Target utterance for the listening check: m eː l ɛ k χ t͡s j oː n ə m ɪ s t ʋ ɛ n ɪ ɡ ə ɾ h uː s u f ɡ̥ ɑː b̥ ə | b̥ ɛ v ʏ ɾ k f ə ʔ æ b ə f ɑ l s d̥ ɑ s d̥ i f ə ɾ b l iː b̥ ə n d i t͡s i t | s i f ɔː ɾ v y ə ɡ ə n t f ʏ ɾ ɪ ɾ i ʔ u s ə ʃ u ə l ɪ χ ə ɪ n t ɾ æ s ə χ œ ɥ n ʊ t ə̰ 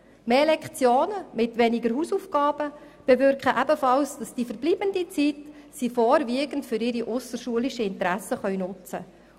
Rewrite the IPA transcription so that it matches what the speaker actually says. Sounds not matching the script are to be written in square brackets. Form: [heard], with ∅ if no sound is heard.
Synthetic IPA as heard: m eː l ɛ k χ t͡s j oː n ə m ɪ [∅] t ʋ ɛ n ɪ ɡ ə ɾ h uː s u f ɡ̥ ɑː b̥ ə | b̥ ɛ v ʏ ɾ k [χ] ə ʔ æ b ə f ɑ l s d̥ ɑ s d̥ i f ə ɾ b l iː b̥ ə n d i t͡s i t | s i f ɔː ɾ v [i] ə ɡ ə n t f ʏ ɾ ɪ ɾ i ʔ [ʊ] s ə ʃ u ə l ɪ [ʃ] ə ɪ n t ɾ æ s ə χ œ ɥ n ʊ [t͡s] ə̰

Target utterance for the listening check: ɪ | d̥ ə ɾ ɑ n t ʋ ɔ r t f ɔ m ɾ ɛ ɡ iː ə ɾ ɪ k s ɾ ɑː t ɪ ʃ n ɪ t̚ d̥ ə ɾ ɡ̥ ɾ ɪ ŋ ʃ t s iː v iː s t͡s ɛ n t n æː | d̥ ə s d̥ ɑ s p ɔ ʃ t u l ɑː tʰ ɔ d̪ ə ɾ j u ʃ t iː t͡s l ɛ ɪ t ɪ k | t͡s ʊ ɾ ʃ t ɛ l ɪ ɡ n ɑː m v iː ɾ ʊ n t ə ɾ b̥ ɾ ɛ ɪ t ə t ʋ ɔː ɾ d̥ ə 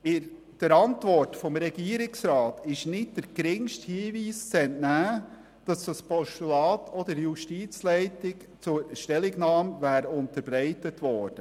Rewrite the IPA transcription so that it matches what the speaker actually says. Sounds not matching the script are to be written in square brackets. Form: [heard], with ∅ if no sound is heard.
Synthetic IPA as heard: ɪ | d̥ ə ɾ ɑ n t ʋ ɔ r t f ɔ m ɾ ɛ ɡ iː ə ɾ ɪ k s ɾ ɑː t ɪ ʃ n ɪ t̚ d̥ ə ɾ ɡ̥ ɾ ɪ ŋ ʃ t [h] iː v iː s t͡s ɛ n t n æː | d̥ [ɑ] s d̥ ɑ s p ɔ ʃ t u l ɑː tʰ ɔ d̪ ə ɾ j u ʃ t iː t͡s l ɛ ɪ t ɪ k | t͡s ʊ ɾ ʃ t ɛ l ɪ ɡ n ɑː m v [æː] ɾ ʊ n t ə ɾ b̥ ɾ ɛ ɪ t ə t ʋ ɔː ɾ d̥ ə

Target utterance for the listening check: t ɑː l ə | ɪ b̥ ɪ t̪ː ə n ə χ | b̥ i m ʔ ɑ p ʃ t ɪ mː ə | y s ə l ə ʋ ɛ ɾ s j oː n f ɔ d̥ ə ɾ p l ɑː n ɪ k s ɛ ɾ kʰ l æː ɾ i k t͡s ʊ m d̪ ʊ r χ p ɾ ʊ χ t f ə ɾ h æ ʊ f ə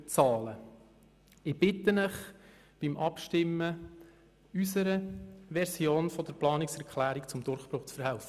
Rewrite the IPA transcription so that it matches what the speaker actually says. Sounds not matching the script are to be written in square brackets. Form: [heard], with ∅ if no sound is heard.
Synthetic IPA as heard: [t͡s] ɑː l ə | ɪ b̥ ɪ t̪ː ə n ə χ | b̥ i m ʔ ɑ p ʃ t ɪ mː ə | y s ə [ɾ] ə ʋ ɛ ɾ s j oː n f ɔ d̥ ə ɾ p l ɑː n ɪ k s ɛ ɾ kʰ l æː ɾ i k t͡s ʊ m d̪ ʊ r χ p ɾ ʊ χ [t͡s] f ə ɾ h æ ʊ f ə

